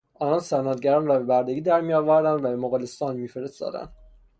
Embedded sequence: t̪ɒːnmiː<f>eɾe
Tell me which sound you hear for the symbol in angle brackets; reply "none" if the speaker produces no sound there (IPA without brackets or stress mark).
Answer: f